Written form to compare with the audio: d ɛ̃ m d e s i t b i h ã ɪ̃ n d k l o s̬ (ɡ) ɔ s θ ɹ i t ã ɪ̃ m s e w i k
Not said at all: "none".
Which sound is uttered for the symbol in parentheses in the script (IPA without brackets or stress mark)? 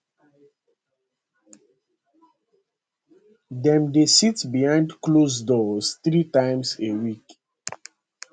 d